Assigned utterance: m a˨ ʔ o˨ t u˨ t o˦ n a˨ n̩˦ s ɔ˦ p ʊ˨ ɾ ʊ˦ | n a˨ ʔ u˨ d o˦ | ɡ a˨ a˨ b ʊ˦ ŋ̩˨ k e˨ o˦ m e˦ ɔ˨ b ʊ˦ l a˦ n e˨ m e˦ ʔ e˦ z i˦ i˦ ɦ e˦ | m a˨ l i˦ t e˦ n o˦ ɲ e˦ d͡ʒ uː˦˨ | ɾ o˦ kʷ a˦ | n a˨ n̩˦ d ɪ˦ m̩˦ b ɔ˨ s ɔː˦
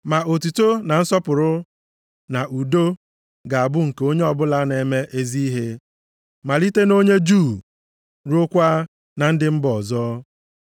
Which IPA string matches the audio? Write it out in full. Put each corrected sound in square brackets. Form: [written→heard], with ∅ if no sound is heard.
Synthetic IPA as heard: m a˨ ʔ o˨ t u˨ t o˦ n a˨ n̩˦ s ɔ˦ p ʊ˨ ɾ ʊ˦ | n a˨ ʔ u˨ d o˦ | ɡ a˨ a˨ b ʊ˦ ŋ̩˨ k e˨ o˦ [m→ɲ] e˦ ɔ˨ b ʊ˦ l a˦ n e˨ m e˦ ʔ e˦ z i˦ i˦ ɦ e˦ | m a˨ l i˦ t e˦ n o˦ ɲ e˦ d͡ʒ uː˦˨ | ɾ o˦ kʷ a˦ | n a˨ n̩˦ d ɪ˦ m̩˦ b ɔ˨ [s→z] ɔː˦